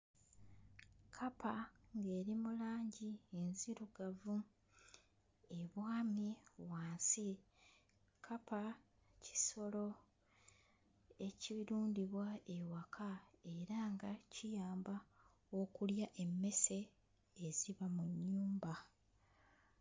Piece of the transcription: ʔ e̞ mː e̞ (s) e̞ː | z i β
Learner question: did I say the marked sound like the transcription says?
yes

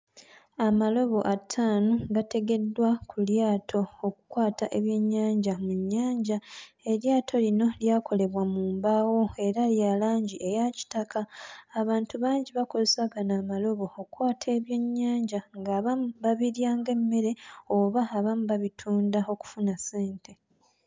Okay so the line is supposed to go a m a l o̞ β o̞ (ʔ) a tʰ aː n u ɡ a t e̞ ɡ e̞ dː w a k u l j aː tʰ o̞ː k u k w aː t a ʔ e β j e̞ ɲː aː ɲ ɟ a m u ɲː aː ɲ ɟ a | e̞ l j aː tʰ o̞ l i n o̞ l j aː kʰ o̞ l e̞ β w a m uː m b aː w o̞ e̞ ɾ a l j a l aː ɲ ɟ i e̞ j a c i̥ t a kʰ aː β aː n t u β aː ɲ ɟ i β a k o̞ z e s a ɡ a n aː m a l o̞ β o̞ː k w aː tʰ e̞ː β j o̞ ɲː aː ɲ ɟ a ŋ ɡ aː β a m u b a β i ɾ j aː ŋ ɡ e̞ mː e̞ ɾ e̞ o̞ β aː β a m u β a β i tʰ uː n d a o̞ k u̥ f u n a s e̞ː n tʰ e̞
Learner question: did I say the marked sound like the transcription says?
yes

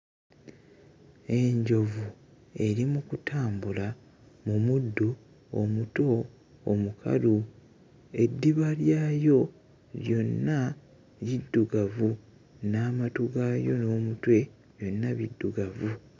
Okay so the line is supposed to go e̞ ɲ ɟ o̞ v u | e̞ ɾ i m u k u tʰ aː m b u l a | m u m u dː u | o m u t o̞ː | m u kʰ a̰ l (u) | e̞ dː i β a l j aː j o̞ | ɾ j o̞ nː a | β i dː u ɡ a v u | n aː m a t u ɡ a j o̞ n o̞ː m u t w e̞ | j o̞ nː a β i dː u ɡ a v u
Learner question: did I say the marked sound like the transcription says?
yes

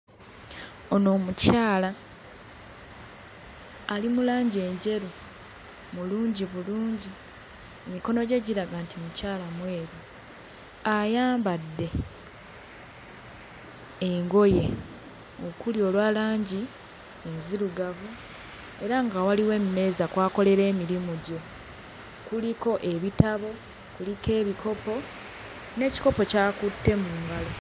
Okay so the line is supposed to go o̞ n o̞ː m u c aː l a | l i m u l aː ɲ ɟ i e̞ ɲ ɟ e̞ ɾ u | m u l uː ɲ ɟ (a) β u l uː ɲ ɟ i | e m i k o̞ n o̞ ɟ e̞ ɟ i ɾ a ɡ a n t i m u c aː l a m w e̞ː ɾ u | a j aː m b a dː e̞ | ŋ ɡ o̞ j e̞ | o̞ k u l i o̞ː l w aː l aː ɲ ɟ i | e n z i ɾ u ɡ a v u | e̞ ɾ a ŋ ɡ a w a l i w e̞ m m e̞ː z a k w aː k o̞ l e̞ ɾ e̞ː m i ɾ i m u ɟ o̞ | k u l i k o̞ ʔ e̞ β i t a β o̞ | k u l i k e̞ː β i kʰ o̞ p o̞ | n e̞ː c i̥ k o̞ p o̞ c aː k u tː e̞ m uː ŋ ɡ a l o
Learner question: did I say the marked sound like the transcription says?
no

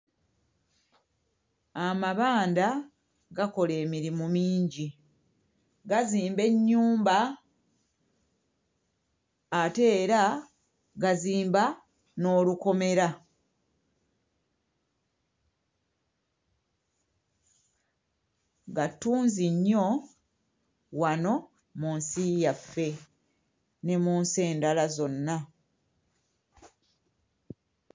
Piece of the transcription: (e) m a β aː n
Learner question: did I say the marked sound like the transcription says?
no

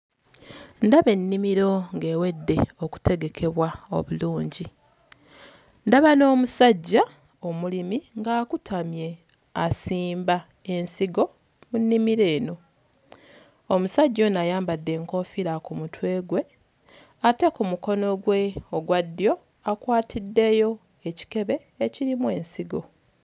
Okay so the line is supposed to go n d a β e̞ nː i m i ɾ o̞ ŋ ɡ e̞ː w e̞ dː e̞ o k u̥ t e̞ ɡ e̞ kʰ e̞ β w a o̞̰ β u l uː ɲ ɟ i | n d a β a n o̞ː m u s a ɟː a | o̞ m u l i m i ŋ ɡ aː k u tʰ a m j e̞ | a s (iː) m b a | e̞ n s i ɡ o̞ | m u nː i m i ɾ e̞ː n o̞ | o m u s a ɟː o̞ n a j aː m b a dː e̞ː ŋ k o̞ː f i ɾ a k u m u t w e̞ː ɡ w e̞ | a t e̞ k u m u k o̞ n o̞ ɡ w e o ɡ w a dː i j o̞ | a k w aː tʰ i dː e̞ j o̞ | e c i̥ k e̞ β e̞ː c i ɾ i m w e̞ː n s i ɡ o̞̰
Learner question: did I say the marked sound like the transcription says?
yes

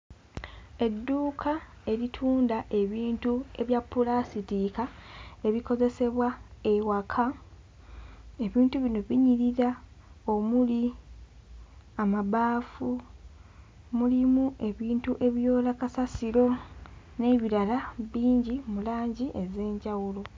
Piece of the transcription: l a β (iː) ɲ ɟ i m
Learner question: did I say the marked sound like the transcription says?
yes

